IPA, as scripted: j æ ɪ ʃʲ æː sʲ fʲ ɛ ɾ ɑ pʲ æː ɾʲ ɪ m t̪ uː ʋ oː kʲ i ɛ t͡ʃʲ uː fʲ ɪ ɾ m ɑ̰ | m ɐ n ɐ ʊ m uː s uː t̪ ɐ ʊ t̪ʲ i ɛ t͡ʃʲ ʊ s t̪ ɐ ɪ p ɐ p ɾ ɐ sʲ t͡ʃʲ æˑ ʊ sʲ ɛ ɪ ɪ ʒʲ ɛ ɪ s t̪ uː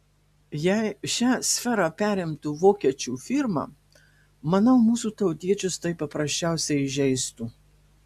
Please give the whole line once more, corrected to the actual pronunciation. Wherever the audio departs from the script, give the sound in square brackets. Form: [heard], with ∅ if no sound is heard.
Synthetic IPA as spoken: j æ ɪ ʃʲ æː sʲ fʲ ɛ ɾ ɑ pʲ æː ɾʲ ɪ m t̪ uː ʋ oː kʲ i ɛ t͡ʃʲ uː fʲ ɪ ɾ m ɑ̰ | m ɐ n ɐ ʊ m uː s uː t̪ ɐ ʊ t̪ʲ i ɛ t͡ʃʲ ʊ s t̪ ɐ ɪ p ɐ p ɾ ɐ sʲ t͡ʃʲ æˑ ʊ sʲ ɛ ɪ ɪ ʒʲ ɛ ɪ s t̪ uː